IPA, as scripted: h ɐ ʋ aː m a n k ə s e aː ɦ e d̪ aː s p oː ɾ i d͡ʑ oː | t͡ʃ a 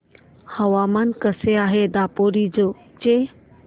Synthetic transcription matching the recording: h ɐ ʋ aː m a n k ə s e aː ɦ e d̪ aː p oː ɾ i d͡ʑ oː | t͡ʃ e